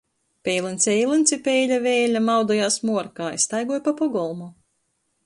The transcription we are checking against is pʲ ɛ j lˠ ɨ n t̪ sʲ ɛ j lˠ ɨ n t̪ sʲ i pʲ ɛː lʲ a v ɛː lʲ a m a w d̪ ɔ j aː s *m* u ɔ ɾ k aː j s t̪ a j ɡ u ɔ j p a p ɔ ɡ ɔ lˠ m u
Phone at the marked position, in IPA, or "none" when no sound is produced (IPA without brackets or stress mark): m